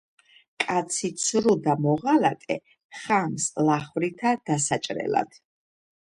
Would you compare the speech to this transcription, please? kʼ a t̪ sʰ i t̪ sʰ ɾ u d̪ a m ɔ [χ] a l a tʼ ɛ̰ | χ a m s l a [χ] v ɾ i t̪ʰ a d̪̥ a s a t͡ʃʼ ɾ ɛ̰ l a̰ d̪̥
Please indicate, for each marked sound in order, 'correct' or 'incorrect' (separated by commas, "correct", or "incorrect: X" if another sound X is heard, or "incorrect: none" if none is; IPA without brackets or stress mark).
incorrect: ʁ, correct